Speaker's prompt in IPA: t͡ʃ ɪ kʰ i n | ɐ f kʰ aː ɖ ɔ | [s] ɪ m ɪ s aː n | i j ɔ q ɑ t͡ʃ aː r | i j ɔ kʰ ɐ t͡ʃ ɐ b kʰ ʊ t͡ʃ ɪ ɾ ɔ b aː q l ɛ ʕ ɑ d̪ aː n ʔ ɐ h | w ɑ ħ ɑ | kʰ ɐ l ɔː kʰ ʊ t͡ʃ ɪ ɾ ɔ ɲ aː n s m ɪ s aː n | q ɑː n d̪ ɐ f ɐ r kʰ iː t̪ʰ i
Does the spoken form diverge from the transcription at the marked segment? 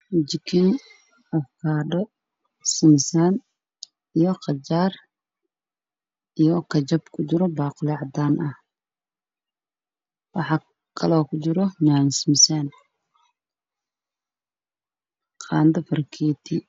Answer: no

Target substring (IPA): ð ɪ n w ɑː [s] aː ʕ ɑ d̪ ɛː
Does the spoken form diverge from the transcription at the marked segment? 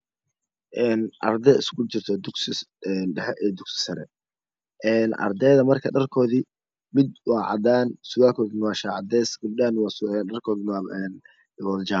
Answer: yes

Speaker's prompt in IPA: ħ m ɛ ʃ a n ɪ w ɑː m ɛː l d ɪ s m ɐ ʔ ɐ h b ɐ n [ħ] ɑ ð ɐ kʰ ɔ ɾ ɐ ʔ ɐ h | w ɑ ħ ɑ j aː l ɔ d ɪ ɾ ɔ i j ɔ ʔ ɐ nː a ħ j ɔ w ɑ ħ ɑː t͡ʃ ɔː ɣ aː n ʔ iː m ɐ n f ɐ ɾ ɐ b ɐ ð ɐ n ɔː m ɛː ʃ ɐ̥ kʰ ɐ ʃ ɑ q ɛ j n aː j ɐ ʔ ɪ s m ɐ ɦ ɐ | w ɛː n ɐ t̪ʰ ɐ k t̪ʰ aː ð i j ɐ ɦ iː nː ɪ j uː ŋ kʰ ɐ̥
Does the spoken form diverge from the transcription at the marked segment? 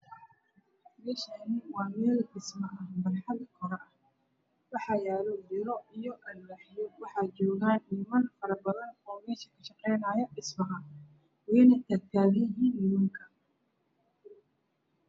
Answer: no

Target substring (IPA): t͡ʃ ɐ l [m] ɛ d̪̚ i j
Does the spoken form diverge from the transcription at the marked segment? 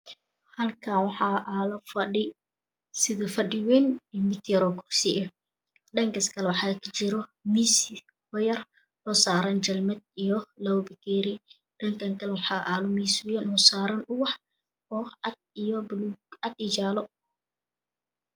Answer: no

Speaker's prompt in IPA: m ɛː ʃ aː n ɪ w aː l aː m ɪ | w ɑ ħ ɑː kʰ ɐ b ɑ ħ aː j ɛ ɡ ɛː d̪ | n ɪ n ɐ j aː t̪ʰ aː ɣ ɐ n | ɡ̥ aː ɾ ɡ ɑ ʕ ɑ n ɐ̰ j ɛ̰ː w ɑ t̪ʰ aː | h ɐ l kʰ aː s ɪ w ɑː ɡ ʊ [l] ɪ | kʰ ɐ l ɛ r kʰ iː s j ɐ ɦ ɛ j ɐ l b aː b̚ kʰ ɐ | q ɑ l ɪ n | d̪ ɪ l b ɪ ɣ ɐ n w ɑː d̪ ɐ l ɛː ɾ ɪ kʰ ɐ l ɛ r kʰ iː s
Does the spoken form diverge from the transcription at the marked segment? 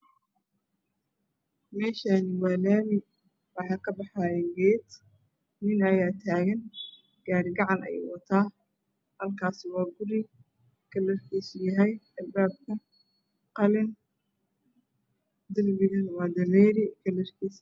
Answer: yes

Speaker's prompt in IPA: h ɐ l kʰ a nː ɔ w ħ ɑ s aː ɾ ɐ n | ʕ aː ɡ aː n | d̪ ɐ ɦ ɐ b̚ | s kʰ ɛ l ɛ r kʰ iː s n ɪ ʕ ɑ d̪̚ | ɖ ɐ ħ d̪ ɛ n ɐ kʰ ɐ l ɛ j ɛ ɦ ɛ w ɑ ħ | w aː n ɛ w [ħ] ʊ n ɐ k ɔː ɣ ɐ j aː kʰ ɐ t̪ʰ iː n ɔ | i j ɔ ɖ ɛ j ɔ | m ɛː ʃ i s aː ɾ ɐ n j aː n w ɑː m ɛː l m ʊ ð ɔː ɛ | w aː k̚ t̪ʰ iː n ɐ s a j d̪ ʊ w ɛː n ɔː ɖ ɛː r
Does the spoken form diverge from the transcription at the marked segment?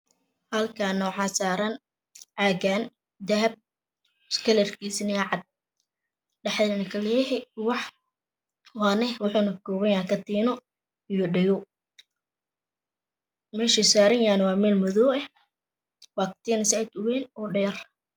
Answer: no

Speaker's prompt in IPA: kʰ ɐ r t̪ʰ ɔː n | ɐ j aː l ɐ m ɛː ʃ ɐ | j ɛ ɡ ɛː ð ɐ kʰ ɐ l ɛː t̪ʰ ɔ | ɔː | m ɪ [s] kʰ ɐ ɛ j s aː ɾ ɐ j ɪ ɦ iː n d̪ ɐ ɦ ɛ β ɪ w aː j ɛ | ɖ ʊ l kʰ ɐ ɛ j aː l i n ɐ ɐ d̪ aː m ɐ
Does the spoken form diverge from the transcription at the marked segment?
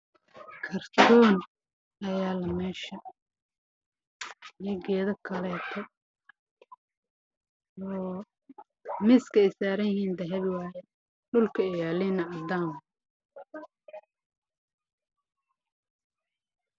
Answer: no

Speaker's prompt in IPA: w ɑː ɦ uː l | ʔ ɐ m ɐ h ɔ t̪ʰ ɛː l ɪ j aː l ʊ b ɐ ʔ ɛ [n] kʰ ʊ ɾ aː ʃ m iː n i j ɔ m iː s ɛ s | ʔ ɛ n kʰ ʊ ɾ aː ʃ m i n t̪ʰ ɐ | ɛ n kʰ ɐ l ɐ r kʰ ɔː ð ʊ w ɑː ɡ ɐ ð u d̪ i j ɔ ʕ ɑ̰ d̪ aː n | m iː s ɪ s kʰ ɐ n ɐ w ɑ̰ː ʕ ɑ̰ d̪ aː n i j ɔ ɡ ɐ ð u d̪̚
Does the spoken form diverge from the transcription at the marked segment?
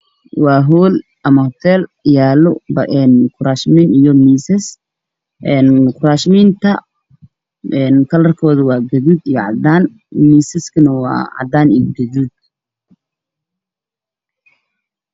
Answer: no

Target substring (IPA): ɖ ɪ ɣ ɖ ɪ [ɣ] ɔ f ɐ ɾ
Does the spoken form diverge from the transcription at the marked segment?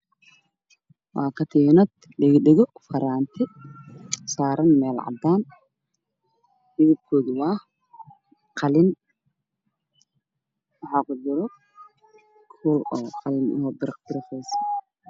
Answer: no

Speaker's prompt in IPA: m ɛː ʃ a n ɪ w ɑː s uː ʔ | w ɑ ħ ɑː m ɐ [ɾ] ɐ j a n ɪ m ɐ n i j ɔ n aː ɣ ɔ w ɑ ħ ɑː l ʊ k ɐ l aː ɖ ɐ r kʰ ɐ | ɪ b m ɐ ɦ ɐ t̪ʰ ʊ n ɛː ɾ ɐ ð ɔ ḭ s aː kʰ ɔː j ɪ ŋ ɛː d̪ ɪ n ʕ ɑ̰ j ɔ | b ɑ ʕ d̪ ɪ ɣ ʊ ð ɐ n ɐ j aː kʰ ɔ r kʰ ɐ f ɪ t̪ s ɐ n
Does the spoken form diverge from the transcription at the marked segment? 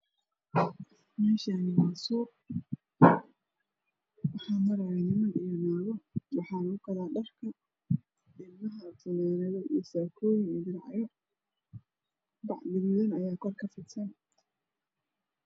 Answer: no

